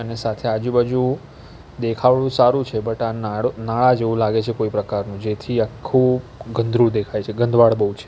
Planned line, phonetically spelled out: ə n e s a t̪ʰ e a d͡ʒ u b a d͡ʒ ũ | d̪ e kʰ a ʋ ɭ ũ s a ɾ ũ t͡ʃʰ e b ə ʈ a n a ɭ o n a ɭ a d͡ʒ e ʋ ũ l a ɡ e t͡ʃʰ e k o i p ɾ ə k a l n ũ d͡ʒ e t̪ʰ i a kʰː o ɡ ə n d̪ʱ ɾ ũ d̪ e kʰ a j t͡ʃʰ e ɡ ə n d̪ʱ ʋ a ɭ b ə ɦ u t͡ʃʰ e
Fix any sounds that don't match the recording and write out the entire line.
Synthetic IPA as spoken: ə n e s a t̪ʰ e a d͡ʒ u b a d͡ʒ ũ | d̪ e kʰ a ʋ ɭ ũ s a ɾ ũ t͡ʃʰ e b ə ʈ a n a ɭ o n a ɭ a d͡ʒ e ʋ ũ l a ɡ e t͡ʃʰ e k o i p ɾ ə k a ɾ n ũ d͡ʒ e t̪ʰ i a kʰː u ɡ ə n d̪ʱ ɾ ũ d̪ e kʰ a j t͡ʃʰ e ɡ ə n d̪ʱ ʋ a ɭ b ə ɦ u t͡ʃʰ e